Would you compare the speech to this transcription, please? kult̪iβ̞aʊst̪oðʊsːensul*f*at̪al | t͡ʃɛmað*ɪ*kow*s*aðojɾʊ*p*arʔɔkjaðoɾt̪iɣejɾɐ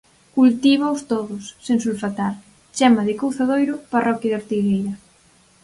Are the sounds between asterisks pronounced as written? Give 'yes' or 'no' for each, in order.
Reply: yes, yes, no, yes

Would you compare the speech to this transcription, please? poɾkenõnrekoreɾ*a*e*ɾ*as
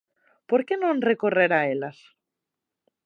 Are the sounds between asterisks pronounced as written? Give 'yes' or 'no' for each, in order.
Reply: yes, no

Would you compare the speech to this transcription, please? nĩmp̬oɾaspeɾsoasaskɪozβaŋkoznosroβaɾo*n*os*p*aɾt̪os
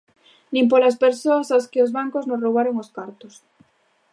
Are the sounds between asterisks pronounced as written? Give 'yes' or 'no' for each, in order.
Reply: no, no

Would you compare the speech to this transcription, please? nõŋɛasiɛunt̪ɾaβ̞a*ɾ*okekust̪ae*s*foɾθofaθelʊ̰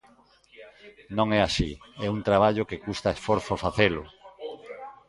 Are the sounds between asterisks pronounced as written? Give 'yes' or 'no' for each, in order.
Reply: no, yes

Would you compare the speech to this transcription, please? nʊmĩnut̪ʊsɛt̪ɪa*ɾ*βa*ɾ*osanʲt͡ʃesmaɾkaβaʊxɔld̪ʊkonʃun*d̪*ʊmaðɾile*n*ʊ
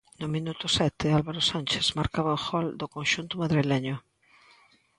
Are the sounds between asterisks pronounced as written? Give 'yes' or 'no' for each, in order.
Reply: no, yes, no, no

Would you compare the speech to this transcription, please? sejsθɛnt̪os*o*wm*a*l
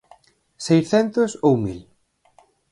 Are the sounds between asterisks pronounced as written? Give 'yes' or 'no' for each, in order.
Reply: yes, no

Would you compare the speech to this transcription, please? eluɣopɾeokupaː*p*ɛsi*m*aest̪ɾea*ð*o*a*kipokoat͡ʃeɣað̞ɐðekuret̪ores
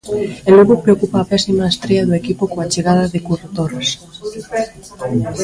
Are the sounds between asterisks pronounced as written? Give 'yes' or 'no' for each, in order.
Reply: yes, yes, yes, no

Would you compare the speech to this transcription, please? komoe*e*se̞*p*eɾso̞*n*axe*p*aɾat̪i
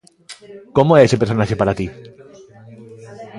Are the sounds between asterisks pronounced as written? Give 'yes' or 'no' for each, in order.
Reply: yes, yes, yes, yes

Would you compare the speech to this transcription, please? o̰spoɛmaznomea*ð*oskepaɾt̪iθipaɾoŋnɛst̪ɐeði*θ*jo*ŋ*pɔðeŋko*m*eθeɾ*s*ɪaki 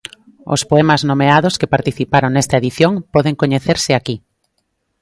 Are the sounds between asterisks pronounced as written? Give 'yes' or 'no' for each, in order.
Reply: yes, yes, yes, no, yes

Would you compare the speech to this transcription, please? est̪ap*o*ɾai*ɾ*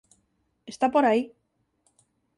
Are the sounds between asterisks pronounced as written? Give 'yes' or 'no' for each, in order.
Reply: yes, no

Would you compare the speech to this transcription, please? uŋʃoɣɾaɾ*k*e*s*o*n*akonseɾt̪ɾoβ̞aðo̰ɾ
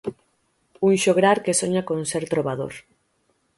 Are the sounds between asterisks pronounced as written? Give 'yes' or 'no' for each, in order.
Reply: yes, yes, no

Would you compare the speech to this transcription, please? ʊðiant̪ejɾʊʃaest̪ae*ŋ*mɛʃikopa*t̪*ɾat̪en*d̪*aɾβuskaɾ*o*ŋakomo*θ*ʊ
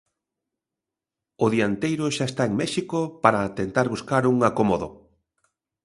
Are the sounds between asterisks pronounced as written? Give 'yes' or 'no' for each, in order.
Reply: yes, no, no, no, no

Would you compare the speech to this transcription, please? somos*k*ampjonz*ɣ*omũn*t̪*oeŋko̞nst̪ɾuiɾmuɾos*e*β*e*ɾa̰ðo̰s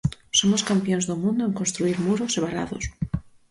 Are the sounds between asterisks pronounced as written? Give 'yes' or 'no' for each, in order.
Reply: yes, no, no, yes, no

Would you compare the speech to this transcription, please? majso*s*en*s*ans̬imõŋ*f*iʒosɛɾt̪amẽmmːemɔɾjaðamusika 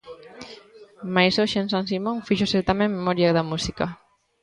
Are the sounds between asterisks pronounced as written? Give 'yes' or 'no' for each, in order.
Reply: no, yes, yes

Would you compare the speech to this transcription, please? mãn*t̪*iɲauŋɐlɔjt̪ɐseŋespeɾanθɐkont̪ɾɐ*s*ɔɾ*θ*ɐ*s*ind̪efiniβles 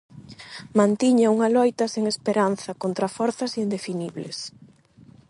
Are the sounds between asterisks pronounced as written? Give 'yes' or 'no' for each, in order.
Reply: yes, no, yes, yes

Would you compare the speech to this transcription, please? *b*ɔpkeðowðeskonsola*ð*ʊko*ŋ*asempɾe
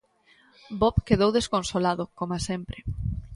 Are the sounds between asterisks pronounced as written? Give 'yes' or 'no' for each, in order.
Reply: yes, yes, no

